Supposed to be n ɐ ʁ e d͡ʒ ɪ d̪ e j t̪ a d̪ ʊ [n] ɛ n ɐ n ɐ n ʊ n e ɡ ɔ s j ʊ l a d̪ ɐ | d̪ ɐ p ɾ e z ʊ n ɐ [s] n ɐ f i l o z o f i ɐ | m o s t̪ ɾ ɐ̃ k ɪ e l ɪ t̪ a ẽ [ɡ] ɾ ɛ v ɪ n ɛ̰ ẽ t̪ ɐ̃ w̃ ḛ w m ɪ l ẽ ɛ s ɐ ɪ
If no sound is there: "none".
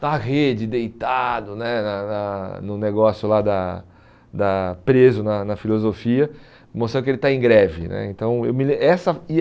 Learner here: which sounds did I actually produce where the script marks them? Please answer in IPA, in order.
n, none, ɡ

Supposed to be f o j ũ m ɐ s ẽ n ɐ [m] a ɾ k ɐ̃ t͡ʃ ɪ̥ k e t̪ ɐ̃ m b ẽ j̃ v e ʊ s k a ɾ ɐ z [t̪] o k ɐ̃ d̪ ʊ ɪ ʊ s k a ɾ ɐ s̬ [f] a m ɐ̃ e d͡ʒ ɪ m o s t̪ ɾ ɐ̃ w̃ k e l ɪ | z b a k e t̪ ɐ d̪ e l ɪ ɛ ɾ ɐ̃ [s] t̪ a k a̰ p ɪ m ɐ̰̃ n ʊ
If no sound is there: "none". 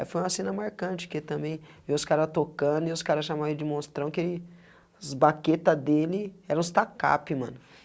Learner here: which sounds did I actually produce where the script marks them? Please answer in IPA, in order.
m, t̪, ʃ, s

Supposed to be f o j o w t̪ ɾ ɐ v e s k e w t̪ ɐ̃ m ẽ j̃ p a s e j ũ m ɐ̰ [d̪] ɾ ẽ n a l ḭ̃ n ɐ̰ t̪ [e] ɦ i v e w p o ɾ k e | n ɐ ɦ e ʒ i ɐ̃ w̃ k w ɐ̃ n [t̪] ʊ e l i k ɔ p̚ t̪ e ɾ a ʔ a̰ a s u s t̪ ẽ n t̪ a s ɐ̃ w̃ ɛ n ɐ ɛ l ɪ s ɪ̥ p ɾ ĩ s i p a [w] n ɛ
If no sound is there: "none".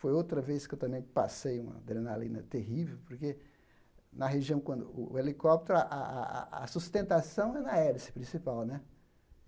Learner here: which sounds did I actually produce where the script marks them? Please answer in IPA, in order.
d̪, e, d̪, w

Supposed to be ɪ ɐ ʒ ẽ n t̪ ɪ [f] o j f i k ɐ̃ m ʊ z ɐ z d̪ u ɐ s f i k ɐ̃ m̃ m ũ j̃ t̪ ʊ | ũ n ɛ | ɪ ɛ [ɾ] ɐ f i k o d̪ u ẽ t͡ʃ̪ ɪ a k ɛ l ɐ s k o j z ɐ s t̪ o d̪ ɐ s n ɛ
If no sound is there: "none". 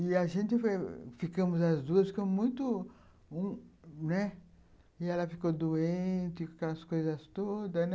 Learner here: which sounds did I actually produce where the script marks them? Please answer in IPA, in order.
f, l

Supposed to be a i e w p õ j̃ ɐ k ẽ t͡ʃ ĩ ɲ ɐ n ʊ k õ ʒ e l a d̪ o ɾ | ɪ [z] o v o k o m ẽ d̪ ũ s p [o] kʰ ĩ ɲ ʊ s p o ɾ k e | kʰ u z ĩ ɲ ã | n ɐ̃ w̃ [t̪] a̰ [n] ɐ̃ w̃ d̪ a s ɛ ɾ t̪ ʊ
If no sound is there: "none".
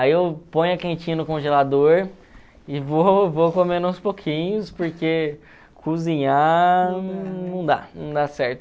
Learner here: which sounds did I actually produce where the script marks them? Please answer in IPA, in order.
v, o, d̪, n

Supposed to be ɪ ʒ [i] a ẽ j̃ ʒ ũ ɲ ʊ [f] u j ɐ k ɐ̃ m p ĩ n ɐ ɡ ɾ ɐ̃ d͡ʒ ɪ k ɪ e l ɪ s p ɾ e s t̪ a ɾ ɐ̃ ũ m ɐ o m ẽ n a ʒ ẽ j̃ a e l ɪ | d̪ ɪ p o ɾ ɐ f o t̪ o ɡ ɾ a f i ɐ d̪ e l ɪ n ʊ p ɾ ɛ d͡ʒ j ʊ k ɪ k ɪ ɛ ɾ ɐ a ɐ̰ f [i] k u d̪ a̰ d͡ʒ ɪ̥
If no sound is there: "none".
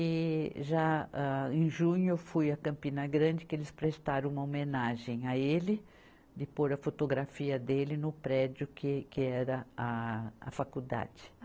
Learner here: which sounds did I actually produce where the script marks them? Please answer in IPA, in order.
a, f, a

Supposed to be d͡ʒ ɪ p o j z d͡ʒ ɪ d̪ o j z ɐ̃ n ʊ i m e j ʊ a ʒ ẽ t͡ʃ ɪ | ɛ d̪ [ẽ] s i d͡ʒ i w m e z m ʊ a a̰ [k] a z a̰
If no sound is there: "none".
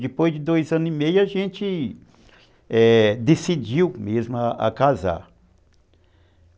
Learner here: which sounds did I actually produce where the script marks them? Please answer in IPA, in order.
e, k

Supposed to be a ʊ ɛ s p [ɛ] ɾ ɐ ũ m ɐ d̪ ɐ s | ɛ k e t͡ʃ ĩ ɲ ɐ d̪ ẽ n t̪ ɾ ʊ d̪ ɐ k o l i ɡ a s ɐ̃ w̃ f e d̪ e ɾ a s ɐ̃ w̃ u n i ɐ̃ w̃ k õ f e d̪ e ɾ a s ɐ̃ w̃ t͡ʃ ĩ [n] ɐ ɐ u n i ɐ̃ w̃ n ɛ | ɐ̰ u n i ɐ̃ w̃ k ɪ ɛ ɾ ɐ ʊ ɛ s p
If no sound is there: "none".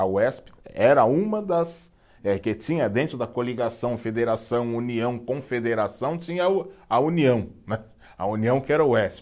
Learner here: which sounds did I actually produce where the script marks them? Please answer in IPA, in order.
ɛ, ɲ

